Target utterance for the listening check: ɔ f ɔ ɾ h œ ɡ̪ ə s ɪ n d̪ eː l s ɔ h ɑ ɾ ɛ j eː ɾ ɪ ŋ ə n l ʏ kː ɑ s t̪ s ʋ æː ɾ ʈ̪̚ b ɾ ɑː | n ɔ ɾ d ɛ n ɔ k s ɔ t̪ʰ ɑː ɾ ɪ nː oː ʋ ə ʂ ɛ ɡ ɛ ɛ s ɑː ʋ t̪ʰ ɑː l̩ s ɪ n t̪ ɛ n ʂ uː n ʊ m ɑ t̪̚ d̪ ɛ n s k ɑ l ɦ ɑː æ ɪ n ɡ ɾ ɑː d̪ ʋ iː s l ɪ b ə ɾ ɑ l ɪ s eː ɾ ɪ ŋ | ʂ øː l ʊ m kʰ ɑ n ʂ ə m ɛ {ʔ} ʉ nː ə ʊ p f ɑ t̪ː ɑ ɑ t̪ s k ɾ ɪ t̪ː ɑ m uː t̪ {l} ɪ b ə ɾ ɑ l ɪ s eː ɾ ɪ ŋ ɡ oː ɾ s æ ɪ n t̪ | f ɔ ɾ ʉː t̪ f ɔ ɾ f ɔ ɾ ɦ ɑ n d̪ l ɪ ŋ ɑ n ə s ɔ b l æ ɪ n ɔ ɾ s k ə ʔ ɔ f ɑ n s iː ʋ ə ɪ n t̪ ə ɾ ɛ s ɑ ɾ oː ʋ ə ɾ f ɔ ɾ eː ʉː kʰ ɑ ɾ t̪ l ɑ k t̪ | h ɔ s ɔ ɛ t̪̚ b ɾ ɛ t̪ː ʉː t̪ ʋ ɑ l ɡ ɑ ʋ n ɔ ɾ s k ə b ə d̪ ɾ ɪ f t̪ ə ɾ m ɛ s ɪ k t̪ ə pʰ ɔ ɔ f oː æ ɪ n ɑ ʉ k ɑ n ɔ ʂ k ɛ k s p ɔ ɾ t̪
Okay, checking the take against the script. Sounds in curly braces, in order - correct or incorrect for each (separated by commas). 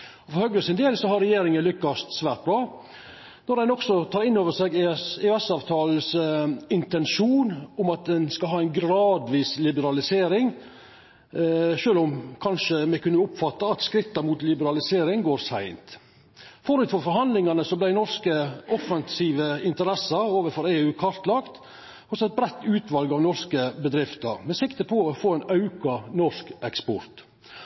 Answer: incorrect, correct